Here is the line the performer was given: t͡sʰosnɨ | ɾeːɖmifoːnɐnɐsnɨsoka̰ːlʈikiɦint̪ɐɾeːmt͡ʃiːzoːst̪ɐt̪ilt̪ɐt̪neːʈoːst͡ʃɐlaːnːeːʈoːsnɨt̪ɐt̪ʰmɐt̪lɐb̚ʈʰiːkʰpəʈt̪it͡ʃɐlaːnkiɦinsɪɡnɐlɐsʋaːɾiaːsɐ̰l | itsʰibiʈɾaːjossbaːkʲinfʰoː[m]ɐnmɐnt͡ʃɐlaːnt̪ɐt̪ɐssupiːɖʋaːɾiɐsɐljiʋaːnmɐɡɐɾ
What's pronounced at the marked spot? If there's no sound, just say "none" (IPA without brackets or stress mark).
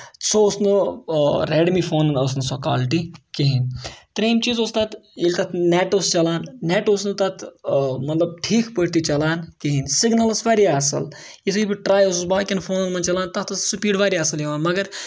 n